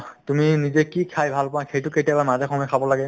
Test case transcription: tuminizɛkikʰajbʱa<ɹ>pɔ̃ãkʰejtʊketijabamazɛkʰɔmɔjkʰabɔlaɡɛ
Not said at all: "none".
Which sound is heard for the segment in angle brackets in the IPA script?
l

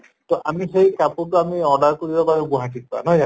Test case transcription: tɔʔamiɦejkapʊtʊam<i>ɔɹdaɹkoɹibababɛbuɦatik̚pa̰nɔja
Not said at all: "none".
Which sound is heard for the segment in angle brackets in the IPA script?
i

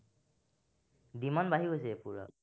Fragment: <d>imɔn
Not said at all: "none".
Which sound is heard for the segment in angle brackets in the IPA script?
d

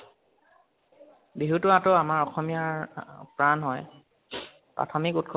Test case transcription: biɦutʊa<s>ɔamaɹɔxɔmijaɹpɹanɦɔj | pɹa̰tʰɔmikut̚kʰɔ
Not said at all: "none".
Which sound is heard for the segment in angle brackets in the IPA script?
t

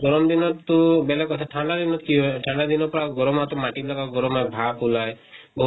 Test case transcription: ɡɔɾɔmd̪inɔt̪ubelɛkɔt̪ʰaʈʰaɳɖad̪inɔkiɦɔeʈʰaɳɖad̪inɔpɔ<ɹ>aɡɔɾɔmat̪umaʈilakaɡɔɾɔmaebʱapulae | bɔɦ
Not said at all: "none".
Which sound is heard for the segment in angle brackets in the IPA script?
ɾ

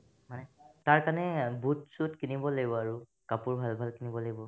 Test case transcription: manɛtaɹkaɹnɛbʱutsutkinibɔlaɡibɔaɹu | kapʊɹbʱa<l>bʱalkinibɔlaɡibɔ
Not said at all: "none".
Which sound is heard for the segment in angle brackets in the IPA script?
l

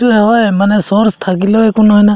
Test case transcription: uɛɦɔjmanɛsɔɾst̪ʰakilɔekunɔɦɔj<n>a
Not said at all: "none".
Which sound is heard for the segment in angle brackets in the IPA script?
n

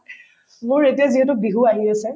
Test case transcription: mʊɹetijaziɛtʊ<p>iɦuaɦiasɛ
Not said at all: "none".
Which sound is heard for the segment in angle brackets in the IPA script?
b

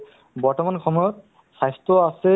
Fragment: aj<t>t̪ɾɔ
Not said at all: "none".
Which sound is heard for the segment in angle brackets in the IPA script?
s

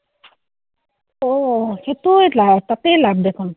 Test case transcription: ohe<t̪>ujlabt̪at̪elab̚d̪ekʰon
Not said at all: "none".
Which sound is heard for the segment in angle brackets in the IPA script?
t̪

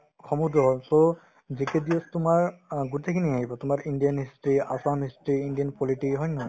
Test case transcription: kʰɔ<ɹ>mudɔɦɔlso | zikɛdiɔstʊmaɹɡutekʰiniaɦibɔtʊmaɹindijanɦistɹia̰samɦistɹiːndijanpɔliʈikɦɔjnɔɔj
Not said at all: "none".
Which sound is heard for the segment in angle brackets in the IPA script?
none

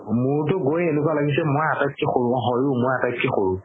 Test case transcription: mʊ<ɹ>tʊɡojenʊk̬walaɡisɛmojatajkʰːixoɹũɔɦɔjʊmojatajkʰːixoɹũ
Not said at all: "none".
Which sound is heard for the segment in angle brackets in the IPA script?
ɹ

